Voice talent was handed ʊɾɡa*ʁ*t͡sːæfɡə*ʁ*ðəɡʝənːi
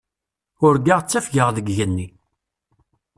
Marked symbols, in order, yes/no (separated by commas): yes, yes